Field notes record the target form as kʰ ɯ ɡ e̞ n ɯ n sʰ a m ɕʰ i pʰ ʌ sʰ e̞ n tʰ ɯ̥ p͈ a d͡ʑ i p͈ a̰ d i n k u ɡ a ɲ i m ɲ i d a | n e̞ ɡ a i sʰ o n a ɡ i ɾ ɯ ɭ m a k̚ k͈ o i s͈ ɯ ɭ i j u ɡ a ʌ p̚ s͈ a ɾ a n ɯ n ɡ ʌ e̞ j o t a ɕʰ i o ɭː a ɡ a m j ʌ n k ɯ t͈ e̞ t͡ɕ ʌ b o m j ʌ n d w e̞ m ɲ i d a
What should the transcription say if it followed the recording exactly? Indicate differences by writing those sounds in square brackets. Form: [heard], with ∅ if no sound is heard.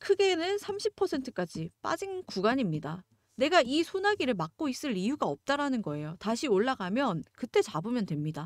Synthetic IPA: kʰ ɯ ɡ e̞ n ɯ n sʰ a m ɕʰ i pʰ ʌ sʰ e̞ n tʰ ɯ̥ [k͈] a d͡ʑ i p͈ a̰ [d͡ʑ] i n k u ɡ a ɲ i m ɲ i d a | n e̞ ɡ a i sʰ o n a ɡ i ɾ ɯ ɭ m a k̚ k͈ o i s͈ ɯ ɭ i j u ɡ a ʌ p̚ [t͈] a ɾ a n ɯ n ɡ ʌ e̞ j o t a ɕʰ i o ɭː a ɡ a m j ʌ n k ɯ t͈ e̞ t͡ɕ [a] b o m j ʌ n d w e̞ m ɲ i d a